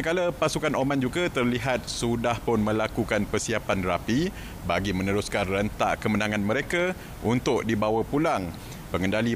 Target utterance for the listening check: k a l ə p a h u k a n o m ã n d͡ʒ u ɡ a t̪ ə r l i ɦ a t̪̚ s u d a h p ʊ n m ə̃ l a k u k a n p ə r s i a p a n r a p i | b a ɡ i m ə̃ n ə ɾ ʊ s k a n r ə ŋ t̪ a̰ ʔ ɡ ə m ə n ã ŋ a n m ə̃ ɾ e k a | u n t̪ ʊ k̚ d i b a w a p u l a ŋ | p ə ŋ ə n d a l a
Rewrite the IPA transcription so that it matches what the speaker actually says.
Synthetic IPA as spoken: k a l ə p a s u k a n o m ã n d͡ʒ u ɡ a t̪ ə r l i ɦ a t̪̚ s u d a h p ʊ n m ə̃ l a k u k a n p ə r s i a p a n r a p i | b a ɡ i m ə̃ n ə ɾ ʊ s k a n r ə n t̪ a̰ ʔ k ə m ə n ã ŋ a n m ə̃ ɾ e k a | u n t̪ ʊ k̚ d i b a w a p u l a ŋ | p ə ŋ ə n d a l i